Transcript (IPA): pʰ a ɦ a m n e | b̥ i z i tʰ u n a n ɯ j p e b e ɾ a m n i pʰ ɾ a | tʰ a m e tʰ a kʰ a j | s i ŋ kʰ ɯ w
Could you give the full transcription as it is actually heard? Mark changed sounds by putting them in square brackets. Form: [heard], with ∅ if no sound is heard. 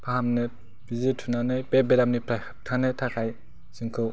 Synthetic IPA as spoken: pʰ a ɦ a m n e | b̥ i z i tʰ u n a n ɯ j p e b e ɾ a m n i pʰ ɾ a | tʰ a [n] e tʰ a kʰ a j | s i ŋ kʰ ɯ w